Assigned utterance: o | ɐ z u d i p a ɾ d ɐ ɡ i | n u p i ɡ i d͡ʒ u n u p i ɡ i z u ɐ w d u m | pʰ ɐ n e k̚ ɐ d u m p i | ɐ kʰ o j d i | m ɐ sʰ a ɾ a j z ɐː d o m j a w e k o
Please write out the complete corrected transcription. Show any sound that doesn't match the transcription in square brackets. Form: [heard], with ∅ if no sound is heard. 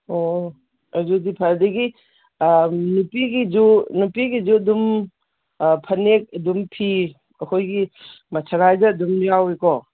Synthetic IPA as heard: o | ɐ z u d i [pʰ] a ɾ d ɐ ɡ i | n u p i ɡ i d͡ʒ u n u p i ɡ i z u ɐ [∅] d u m | pʰ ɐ n e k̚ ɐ d u m [pʰ] i | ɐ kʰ o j [ɡ] i | m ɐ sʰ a ɾ a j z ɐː d [u] m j a w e k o